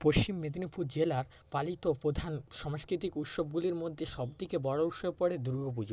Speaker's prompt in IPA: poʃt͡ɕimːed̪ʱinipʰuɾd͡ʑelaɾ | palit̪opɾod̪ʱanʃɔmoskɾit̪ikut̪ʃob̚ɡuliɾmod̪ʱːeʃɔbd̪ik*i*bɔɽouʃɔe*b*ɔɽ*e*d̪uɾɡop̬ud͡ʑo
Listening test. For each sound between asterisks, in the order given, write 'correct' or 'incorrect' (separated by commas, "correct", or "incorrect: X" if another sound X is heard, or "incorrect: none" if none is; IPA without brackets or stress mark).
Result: incorrect: e, incorrect: p, correct